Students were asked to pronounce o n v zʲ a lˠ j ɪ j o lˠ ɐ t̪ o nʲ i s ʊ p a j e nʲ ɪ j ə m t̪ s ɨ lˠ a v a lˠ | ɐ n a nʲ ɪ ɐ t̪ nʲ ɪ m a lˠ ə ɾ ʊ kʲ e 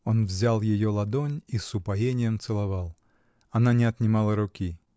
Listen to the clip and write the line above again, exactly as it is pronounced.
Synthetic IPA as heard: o n v zʲ a lˠ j ɪ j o lˠ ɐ d̪ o nʲ i s ʊ p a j e nʲ ɪ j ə m t̪ s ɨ lˠ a v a lˠ | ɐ n a nʲ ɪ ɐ t̪ nʲ ɪ m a lˠ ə ɾ ʊ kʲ i